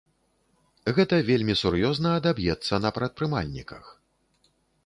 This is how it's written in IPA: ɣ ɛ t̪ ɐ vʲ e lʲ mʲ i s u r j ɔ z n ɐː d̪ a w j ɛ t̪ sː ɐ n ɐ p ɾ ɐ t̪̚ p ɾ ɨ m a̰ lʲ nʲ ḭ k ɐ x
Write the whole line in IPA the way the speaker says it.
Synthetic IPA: ɣ ɛ t̪ ɐ vʲ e lʲ mʲ i s u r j ɔ z n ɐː d̪ a b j ɛ t̪ sː ɐ n ɐ p ɾ ɐ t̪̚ p ɾ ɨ m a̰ lʲ nʲ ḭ k ɐ x